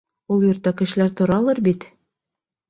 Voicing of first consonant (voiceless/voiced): voiced